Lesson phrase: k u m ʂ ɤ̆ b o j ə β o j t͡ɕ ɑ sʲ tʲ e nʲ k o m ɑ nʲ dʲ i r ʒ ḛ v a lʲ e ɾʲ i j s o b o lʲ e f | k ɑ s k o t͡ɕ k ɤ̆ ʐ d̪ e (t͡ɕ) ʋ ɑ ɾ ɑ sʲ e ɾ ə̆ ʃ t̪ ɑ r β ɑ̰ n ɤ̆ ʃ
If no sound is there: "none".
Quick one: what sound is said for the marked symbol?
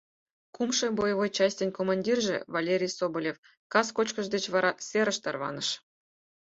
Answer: t͡ɕ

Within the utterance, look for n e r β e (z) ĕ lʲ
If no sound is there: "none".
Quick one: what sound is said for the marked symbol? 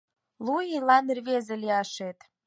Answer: z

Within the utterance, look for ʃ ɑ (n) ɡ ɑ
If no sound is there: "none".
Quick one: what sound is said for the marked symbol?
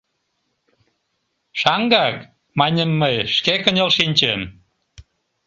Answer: ŋ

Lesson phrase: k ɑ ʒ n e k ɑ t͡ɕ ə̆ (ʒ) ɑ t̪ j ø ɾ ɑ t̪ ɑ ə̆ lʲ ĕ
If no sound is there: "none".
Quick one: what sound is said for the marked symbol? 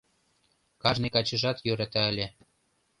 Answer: ʒ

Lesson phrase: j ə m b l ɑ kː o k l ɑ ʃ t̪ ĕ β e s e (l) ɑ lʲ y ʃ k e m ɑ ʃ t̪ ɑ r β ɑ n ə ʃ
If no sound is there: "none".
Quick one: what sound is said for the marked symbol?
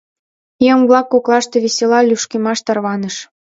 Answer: l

